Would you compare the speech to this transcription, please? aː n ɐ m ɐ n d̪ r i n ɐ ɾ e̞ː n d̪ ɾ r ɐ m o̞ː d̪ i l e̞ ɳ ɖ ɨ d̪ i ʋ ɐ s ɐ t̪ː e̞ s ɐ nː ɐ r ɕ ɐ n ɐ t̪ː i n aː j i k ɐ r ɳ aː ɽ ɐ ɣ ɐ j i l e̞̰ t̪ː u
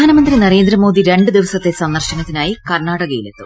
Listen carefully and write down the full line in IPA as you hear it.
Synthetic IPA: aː n ɐ m ɐ n d̪ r i n ɐ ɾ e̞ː n d̪ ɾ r ɐ m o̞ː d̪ i ɾ e̞ ɳ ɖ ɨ d̪ i ʋ ɐ s ɐ t̪ː e̞ s ɐ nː ɐ r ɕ ɐ n ɐ t̪ː i n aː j i k ɐ r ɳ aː ɽ ɐ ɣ ɐ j i l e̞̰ t̪ː u